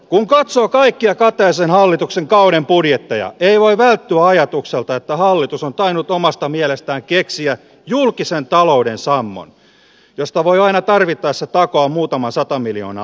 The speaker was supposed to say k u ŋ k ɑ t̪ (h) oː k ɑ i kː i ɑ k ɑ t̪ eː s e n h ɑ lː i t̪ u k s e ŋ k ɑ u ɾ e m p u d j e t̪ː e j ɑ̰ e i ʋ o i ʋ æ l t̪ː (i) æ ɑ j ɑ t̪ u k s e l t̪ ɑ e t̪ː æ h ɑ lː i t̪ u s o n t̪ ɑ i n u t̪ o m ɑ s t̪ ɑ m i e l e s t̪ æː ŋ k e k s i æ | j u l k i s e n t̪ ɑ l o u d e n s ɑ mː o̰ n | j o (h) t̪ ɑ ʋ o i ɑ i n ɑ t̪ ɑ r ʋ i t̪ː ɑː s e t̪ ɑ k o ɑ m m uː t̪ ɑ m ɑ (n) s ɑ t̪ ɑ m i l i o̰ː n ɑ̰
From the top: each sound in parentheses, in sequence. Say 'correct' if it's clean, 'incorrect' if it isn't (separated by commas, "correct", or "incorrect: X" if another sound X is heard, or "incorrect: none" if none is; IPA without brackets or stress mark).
incorrect: s, incorrect: y, incorrect: s, correct